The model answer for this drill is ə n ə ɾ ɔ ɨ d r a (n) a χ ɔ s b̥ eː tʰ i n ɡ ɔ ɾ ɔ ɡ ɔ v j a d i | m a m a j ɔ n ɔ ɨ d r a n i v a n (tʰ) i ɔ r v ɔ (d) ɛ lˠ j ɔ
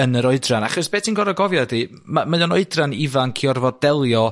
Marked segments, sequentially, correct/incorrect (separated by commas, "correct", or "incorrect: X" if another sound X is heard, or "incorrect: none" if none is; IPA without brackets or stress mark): correct, incorrect: kʰ, correct